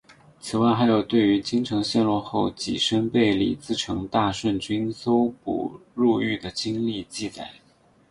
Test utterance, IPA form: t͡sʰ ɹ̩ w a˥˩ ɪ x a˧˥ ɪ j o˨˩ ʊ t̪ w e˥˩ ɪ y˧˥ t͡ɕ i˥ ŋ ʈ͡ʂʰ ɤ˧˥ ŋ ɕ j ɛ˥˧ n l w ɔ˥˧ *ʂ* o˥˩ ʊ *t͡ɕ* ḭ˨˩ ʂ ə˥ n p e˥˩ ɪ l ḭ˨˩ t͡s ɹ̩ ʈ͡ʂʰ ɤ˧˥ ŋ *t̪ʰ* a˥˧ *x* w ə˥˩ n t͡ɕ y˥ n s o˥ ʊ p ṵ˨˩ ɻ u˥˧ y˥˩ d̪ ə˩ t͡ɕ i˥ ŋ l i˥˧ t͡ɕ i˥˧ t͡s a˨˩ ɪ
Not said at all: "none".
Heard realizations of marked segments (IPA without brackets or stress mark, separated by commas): x, t͡ɕ, t̪, ʂ